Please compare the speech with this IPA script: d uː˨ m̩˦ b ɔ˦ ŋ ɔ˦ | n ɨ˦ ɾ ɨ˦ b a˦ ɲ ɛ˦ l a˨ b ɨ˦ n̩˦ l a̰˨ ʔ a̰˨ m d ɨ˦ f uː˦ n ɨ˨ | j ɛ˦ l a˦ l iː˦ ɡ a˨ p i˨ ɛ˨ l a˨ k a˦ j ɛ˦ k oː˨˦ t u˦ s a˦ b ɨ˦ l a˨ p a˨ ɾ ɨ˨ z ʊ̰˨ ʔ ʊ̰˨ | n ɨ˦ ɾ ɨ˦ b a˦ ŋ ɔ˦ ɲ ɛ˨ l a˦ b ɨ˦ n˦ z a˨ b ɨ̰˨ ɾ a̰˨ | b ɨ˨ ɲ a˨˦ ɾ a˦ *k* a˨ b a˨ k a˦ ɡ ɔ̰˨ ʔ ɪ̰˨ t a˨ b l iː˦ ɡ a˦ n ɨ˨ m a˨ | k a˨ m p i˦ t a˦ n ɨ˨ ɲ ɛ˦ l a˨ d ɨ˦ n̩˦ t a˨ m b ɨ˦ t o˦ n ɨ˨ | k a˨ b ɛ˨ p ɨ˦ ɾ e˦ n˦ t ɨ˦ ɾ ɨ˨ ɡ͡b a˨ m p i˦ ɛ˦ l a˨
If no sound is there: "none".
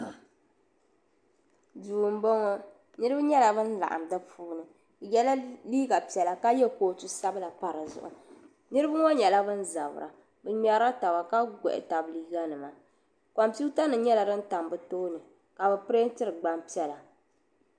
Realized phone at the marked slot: t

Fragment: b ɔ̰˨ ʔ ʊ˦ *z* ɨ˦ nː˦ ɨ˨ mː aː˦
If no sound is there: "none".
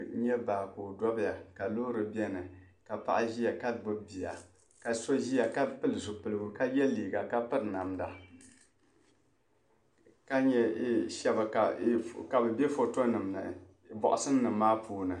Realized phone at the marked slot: s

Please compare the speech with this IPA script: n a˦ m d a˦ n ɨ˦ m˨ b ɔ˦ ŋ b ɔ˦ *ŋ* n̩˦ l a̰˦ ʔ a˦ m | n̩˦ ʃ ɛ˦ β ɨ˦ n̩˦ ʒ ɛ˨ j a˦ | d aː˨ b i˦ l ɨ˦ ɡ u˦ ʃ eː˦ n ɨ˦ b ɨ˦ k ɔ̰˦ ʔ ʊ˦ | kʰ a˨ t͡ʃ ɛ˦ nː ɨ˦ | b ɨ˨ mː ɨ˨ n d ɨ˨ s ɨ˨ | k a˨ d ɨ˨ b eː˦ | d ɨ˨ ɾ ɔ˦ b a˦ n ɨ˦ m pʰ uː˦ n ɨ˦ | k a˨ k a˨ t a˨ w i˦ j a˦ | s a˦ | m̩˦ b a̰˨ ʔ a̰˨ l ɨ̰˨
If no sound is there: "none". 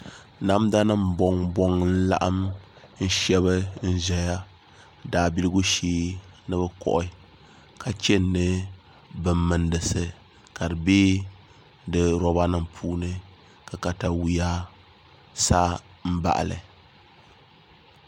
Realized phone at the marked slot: ŋ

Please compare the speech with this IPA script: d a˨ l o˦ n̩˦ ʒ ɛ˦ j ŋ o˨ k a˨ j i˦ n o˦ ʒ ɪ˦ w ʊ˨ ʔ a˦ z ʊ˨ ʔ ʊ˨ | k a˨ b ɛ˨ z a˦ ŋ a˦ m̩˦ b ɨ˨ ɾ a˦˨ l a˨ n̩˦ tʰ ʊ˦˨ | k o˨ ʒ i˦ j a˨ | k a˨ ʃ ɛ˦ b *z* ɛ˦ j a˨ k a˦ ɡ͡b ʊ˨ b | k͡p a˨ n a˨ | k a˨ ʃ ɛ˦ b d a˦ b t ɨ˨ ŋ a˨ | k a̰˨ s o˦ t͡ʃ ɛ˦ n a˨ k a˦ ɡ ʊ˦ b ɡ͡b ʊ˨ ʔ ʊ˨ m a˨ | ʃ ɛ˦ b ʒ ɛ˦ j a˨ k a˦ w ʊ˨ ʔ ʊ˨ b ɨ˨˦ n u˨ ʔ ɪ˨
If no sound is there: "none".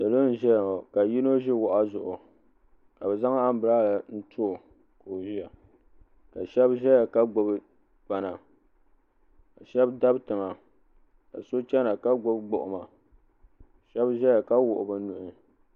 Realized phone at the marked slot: ʒ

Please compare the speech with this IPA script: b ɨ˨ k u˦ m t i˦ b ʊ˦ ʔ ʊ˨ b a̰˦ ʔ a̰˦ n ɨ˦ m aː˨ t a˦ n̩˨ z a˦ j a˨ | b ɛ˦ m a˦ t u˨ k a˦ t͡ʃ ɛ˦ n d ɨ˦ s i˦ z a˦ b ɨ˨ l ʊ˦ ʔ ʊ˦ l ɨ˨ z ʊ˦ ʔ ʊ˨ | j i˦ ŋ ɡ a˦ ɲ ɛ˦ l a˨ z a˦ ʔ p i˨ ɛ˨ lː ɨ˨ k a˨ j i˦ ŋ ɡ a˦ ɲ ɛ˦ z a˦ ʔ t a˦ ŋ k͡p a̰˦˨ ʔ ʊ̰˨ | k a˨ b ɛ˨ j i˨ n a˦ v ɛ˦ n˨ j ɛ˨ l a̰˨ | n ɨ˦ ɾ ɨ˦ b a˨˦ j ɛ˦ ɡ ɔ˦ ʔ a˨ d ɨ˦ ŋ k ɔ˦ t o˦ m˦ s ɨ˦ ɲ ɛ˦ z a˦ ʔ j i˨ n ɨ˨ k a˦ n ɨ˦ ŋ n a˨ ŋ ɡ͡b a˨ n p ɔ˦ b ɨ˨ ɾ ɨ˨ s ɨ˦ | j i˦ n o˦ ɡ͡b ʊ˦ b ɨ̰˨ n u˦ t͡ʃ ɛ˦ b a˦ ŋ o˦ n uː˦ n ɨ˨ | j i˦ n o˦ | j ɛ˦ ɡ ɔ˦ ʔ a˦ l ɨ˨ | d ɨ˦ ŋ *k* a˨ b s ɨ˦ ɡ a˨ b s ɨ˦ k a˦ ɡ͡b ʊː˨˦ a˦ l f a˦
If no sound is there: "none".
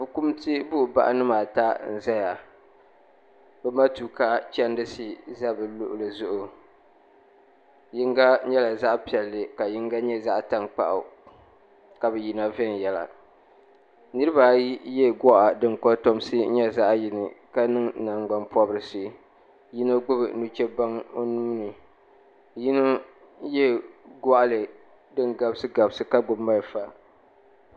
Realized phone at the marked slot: ɡ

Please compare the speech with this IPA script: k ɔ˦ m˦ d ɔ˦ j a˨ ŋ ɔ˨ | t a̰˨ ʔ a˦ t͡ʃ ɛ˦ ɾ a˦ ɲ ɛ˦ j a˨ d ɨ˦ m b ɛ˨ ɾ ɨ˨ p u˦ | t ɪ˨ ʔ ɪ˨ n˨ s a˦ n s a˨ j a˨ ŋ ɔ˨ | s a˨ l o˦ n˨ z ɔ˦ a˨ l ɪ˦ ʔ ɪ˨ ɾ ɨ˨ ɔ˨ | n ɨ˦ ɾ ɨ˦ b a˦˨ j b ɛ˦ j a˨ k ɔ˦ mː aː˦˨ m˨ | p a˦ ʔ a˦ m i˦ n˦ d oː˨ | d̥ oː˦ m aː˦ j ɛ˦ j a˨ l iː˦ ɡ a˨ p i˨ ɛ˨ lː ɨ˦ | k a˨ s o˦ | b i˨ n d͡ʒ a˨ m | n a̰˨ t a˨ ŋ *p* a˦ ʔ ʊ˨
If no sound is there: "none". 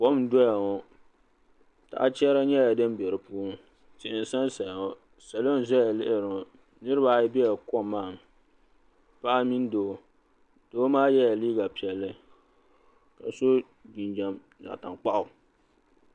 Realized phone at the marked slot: k͡p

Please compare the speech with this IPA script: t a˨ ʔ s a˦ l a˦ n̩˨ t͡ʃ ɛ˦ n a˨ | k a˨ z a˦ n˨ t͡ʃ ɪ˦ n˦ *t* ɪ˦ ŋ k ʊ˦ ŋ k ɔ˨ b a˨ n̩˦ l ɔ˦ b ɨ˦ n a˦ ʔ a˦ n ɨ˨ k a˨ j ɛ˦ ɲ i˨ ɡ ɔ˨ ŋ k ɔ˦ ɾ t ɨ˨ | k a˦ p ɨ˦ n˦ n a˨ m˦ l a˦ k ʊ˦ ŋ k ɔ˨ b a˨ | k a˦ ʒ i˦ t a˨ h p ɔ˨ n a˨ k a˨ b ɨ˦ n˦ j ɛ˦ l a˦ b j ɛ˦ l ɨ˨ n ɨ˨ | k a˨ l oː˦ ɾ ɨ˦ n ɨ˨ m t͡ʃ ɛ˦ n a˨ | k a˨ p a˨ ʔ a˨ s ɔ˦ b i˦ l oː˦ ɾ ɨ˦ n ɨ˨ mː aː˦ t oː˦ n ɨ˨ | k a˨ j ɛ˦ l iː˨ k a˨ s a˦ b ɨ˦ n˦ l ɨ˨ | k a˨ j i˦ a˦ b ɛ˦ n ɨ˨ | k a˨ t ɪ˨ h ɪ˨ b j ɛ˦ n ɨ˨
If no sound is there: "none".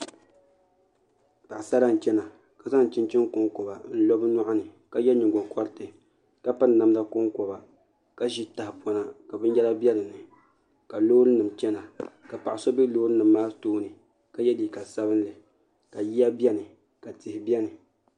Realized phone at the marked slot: t͡ʃ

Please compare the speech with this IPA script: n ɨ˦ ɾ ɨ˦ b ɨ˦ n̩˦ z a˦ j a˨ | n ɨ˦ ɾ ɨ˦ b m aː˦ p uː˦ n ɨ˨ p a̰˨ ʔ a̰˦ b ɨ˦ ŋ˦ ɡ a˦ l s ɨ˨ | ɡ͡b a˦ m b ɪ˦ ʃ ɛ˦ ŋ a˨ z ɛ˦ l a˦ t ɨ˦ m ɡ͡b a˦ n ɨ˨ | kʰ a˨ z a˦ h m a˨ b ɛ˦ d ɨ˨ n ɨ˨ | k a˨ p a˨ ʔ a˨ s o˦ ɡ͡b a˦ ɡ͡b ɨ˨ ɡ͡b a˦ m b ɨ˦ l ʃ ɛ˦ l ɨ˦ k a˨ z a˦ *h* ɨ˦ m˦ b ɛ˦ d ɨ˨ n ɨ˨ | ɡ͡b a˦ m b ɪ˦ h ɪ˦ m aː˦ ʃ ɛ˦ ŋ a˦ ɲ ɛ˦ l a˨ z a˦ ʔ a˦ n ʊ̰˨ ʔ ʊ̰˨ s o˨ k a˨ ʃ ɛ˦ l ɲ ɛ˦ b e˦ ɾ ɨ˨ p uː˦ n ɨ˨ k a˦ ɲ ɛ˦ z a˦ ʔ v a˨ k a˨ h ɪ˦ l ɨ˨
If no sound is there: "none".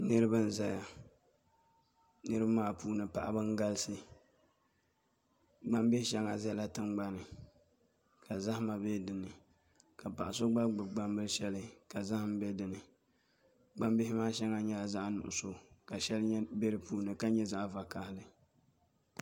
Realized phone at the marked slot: h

